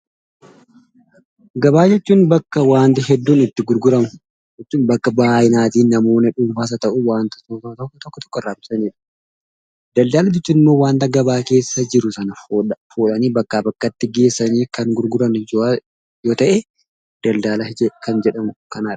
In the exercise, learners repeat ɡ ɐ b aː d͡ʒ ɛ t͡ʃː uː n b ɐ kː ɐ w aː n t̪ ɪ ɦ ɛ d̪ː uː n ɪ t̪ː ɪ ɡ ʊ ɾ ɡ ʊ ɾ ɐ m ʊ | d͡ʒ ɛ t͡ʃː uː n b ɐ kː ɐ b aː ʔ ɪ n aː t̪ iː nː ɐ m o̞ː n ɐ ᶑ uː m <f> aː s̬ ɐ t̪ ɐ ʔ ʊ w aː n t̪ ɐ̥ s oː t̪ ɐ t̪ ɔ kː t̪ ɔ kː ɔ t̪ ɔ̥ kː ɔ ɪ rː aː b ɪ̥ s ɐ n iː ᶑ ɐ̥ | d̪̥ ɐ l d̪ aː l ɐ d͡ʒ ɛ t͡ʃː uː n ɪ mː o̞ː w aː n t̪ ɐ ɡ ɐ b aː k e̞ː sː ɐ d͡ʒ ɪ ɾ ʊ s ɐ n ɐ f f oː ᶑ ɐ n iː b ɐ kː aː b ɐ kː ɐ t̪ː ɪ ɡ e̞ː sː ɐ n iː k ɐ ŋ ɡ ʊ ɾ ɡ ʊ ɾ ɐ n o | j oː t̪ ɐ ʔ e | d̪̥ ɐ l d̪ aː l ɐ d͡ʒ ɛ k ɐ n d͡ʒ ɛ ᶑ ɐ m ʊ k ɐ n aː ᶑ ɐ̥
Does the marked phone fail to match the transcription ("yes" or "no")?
no